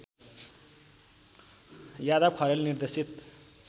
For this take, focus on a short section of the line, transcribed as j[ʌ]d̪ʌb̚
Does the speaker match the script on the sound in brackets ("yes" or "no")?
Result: no